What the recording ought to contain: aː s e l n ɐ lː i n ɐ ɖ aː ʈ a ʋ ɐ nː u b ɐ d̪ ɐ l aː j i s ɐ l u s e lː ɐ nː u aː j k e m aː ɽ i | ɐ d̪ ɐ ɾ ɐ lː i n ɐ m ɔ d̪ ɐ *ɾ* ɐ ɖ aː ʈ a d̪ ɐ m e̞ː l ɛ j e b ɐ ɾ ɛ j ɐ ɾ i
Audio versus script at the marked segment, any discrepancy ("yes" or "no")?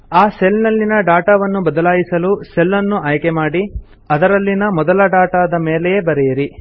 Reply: yes